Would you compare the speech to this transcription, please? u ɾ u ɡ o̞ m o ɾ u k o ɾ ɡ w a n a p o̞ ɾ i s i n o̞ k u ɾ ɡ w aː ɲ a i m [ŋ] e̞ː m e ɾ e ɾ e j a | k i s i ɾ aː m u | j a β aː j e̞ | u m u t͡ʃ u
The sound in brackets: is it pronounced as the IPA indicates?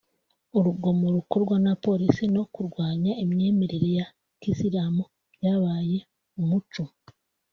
no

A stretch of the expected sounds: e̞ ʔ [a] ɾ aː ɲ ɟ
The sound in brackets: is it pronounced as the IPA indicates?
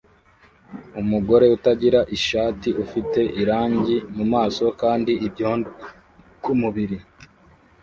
no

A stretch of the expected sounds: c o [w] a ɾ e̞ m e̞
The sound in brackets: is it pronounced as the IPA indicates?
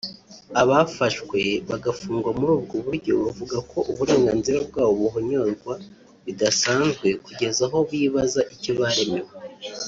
no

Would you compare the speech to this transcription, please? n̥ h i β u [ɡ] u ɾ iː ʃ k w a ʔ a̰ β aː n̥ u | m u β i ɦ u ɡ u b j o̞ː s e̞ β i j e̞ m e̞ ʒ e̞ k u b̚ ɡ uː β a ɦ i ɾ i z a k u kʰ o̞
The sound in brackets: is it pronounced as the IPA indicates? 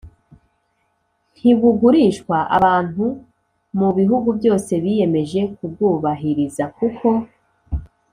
yes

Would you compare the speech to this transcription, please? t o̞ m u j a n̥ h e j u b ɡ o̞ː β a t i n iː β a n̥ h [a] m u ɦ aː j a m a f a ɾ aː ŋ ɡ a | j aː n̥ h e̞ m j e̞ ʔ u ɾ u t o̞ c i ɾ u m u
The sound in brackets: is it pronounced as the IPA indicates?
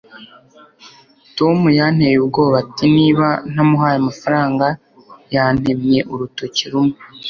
yes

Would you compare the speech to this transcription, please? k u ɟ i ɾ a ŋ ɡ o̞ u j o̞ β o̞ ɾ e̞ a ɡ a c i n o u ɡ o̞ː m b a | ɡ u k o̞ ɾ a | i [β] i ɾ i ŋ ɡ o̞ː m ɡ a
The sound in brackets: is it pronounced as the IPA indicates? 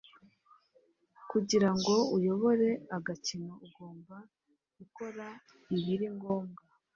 yes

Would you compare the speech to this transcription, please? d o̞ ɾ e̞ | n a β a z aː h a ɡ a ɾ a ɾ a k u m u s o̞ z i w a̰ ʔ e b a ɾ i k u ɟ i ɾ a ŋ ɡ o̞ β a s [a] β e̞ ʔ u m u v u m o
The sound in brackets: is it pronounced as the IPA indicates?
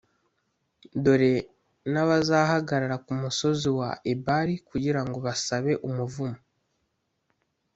yes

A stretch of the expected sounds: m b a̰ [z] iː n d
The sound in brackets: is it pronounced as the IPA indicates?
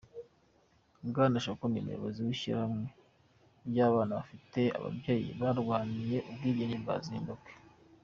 yes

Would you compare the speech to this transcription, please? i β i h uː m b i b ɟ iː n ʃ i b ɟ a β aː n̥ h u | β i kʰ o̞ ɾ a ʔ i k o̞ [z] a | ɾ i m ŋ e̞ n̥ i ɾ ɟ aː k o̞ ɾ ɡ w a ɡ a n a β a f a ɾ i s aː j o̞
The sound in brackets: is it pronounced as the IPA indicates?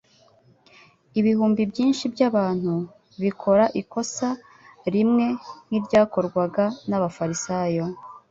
no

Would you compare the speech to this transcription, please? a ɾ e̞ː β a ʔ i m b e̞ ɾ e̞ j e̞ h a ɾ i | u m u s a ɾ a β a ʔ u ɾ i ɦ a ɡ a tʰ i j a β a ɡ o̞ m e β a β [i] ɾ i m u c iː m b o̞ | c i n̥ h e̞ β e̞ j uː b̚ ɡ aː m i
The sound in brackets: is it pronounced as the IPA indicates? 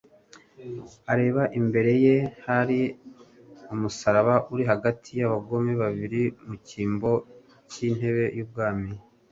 yes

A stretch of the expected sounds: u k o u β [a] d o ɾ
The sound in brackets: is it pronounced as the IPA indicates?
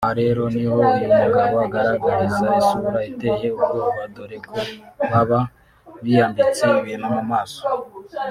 yes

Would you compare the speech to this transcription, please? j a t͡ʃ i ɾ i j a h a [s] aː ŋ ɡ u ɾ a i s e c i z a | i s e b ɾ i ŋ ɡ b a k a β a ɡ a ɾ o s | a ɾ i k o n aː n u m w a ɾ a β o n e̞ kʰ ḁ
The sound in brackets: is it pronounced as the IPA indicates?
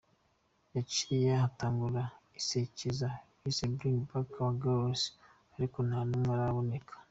no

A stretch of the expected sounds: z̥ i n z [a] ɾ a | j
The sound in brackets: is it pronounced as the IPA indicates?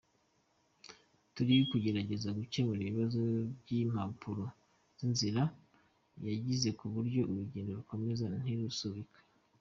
no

